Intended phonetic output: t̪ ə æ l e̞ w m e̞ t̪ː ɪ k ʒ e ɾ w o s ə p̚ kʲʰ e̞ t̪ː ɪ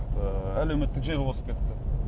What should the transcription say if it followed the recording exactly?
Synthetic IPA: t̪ ə æ l e̞ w m e̞ t̪ː ɪ k ʒ e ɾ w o s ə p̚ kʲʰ e̞ t̪ː ɪ